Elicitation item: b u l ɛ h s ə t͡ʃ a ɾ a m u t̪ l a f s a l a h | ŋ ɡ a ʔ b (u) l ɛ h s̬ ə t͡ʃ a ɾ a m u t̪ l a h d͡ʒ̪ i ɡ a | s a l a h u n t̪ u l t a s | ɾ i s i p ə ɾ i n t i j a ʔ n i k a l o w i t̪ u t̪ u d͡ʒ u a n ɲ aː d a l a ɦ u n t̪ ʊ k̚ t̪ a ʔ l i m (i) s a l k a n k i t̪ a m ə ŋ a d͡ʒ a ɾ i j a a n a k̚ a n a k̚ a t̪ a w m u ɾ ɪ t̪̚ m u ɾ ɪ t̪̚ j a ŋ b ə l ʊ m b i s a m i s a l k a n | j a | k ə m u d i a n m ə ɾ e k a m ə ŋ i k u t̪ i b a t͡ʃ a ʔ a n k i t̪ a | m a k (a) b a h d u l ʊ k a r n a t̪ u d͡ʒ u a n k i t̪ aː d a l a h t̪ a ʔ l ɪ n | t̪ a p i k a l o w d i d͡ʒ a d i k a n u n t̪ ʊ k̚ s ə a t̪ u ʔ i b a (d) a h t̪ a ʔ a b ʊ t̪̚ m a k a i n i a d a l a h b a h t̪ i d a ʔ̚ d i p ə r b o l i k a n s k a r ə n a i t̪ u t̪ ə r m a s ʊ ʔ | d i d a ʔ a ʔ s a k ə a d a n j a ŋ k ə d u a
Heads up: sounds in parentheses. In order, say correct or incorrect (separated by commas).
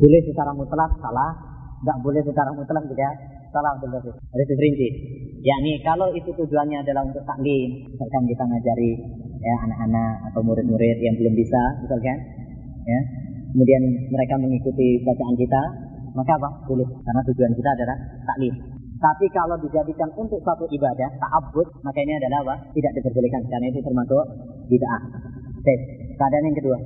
incorrect, correct, correct, correct